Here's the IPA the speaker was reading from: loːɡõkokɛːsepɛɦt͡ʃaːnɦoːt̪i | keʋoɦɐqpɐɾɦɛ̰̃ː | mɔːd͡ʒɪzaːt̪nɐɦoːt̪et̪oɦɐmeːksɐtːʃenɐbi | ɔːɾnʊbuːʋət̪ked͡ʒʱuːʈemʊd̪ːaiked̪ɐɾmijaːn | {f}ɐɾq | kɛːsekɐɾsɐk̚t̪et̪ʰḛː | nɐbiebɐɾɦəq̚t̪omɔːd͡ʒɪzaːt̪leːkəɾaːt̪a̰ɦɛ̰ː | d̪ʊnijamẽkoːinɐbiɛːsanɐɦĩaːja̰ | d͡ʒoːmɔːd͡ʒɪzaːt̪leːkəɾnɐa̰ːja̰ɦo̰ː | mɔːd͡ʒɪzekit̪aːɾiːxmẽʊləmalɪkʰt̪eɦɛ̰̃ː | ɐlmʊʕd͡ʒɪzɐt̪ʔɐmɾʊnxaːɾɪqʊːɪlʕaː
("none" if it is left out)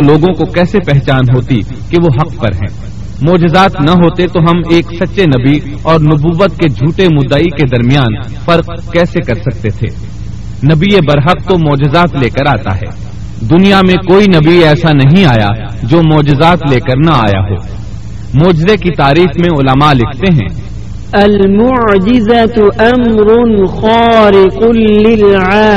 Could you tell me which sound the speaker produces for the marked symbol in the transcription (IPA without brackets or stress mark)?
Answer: f